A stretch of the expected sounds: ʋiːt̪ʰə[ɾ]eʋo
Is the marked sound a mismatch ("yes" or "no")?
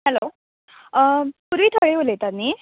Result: yes